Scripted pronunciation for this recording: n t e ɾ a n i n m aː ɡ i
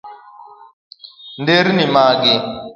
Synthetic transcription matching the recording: n d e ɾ i n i m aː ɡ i